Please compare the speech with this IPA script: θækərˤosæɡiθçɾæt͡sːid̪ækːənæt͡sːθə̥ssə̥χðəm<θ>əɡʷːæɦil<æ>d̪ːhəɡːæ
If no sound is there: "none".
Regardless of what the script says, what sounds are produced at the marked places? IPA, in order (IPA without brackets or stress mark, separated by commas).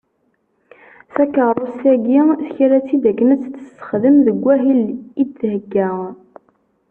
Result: ð, i